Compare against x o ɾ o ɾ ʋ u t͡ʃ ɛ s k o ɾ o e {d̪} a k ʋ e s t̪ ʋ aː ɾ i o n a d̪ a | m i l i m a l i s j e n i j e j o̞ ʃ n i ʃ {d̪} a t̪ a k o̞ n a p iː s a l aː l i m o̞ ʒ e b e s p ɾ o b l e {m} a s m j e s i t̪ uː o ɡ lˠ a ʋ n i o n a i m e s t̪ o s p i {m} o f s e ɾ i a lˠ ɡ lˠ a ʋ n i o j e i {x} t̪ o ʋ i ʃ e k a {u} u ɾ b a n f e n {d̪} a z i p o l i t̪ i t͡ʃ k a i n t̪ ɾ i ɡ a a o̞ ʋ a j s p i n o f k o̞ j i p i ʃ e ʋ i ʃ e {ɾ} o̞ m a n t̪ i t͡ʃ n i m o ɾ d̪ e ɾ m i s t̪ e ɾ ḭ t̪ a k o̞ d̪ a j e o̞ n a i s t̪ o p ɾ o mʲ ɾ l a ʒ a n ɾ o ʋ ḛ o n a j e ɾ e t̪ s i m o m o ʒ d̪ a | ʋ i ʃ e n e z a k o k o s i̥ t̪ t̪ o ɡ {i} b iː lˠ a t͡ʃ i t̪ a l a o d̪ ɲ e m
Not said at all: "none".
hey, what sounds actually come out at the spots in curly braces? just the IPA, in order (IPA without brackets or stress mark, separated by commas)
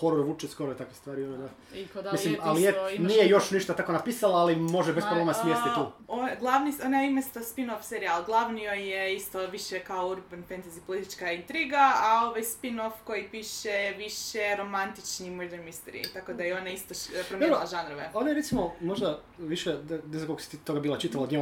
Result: t̪, t̪, m, n, s, o, t̪, ɾ, a